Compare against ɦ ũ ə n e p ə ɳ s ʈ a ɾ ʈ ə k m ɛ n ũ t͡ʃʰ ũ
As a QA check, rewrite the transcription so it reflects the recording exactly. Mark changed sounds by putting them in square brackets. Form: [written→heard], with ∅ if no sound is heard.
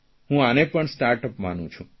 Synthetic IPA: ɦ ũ [ə→a] n e p ə ɳ s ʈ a ɾ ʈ ə [k→p] m [ɛ→a] n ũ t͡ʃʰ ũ

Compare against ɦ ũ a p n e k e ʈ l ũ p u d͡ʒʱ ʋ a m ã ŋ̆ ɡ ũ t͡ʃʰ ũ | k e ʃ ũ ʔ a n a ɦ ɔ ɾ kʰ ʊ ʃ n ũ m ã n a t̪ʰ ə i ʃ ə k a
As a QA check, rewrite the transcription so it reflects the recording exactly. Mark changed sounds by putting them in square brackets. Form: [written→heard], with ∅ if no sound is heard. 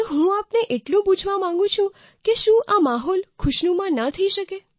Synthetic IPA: ɦ ũ a p n e [k→ʔ] e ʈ l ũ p u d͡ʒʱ ʋ a m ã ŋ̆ ɡ ũ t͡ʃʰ ũ | k e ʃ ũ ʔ a [n→m] a ɦ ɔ [ɾ→l] kʰ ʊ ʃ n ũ m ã n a t̪ʰ ə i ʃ ə k [a→e]

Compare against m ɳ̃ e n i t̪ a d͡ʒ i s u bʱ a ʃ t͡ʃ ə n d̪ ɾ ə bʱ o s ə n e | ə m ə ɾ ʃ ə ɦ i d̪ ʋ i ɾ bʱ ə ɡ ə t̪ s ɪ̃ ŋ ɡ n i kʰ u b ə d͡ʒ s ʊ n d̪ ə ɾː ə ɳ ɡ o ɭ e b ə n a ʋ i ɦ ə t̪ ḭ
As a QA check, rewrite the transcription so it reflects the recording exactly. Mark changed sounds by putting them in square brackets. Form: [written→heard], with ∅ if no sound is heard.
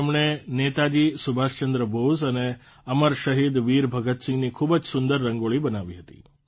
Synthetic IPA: m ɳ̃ e n [i→e] t̪ a d͡ʒ i s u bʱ a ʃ t͡ʃ ə n d̪ ɾ ə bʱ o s ə n e | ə m ə ɾ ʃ ə ɦ i d̪ ʋ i ɾ bʱ ə ɡ ə t̪ s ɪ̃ ŋ ɡ n i kʰ u b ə d͡ʒ s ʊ n d̪ ə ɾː ə [ɳ→ŋ] ɡ o ɭ [e→i] b ə n a ʋ i ɦ ə t̪ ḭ

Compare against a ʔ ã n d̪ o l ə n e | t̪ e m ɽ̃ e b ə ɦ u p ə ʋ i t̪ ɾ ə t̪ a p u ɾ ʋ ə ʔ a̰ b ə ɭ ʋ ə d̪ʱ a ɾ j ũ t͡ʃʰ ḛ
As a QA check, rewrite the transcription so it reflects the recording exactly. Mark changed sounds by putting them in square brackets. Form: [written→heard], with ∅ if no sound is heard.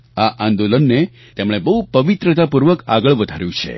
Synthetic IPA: a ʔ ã n d̪ o l ə [n→nː] e | t̪ e m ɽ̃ e b ə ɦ u p ə ʋ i t̪ ɾ ə t̪ a p u ɾ ʋ ə [ʔ→k] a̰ [b→ɡ] ə ɭ ʋ ə d̪ʱ a ɾ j ũ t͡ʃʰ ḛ

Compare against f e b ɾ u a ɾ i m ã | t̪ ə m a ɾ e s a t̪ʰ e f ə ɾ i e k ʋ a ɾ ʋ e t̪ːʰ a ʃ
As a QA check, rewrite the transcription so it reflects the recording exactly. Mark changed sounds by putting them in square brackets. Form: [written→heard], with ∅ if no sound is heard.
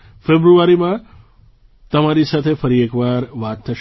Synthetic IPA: f e b ɾ u a ɾ i m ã | t̪ ə m a ɾ [e→i] s a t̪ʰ e f ə ɾ i e k ʋ a ɾ ʋ [e→a] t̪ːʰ [a→ə] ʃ

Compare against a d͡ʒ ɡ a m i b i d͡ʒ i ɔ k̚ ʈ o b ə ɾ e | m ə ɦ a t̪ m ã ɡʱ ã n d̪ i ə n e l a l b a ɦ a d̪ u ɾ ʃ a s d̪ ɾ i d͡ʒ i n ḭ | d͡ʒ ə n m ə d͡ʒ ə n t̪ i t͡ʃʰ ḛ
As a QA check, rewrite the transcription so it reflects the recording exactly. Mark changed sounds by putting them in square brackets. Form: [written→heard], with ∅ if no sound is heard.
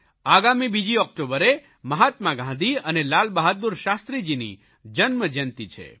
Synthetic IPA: a [d͡ʒ→∅] ɡ a m i b i d͡ʒ i ɔ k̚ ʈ o b ə ɾ e | m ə ɦ a t̪ m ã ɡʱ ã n d̪ i ə n e l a l b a ɦ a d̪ u ɾ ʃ a s [d̪→t̪] ɾ i d͡ʒ i n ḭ | d͡ʒ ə n m ə d͡ʒ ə n t̪ i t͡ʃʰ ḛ

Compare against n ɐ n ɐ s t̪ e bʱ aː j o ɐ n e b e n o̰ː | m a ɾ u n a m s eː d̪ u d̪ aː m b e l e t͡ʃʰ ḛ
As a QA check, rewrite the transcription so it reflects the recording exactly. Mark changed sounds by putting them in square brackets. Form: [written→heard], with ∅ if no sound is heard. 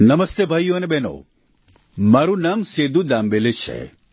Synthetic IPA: n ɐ [n→m] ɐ s t̪ e bʱ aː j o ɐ n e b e n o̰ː | m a ɾ u n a m s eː d̪ u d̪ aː m b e l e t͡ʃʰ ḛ

